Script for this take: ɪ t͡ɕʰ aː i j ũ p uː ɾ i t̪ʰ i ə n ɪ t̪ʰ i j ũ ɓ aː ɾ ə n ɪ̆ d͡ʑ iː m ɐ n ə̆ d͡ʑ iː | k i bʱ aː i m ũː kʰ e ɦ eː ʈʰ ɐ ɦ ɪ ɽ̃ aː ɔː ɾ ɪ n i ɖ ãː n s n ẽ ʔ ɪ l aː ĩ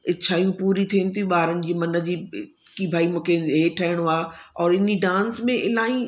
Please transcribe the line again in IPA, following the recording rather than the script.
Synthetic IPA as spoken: ɪ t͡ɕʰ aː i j ũ p uː ɾ i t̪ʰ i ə n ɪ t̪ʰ i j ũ ɓ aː ɾ ə n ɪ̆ d͡ʑ iː m ɐ n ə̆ d͡ʑ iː | k i bʱ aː i m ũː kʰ e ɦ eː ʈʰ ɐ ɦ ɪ ɽ̃ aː ɔː ɾ ɪ n i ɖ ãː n s m ẽ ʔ ɪ l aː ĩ